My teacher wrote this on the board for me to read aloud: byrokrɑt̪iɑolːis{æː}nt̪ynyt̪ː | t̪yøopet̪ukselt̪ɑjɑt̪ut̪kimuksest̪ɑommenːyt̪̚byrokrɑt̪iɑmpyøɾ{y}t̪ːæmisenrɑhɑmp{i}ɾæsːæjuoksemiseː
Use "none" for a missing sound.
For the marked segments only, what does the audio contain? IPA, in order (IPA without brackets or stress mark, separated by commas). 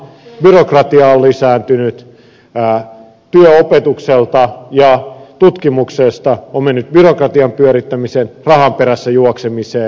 æː, i, e